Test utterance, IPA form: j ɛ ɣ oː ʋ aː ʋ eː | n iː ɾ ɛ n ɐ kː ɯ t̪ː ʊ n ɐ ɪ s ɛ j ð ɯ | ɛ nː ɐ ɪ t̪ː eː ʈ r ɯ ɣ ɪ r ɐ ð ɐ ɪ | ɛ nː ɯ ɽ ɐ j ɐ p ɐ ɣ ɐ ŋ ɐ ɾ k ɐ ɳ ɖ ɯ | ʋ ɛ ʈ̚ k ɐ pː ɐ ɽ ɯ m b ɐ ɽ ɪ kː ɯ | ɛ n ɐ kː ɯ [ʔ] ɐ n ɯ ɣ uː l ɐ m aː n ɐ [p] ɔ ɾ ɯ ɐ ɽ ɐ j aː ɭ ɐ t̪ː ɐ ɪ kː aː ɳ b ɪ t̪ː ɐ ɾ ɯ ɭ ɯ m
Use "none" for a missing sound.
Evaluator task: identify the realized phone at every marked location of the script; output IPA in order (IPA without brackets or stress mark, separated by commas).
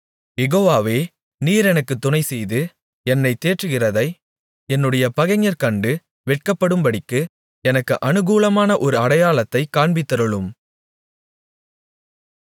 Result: ʔ, ʔ